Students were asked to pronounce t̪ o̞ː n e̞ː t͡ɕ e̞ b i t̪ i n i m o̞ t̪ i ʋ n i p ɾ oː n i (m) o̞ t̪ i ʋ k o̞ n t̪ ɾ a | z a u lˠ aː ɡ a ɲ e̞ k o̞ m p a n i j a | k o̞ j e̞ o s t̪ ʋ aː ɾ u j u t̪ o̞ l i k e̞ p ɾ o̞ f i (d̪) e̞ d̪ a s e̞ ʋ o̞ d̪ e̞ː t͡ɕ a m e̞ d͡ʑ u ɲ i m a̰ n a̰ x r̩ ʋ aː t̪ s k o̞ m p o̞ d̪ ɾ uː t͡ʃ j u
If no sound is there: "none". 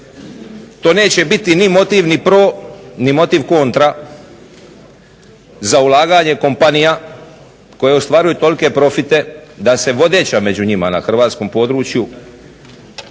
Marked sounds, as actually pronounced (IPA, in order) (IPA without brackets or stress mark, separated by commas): m, t̪